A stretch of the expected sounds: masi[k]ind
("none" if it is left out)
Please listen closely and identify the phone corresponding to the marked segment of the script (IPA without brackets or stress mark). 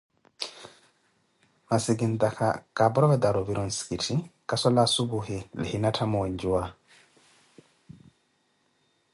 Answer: ɡ